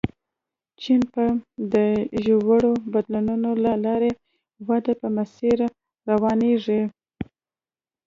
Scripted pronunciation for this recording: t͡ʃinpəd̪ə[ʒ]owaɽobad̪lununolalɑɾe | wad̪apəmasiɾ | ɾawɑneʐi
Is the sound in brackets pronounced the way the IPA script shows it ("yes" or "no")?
yes